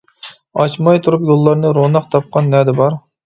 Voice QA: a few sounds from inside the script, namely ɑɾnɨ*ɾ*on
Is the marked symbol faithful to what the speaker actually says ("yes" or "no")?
yes